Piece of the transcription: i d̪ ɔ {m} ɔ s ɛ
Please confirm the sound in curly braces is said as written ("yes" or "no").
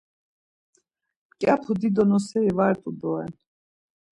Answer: no